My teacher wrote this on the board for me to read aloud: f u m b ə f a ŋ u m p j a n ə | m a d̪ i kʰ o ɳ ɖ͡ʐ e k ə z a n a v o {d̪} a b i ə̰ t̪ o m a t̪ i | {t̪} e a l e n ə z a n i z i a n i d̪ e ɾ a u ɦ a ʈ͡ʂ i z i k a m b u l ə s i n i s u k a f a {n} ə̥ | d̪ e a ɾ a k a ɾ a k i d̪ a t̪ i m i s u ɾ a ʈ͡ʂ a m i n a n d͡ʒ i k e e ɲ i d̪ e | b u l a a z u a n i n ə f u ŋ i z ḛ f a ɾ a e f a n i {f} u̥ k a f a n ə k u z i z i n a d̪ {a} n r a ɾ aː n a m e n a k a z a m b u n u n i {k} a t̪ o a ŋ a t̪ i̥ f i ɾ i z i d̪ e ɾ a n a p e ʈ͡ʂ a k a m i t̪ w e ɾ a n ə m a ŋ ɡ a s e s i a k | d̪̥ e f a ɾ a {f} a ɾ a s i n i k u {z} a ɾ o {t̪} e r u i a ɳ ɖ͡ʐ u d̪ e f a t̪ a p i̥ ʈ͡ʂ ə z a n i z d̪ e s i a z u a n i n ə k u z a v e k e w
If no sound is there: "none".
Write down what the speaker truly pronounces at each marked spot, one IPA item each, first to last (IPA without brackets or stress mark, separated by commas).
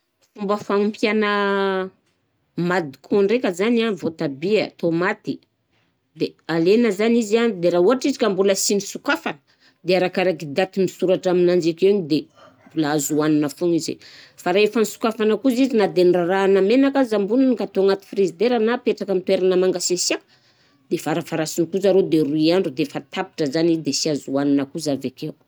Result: t̪, d̪, n, s, e, k, f, z, d̪